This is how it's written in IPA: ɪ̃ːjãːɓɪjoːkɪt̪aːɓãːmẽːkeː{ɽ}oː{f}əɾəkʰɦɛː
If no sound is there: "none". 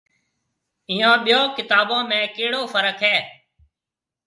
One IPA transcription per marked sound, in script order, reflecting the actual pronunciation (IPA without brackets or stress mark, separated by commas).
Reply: ɽ, f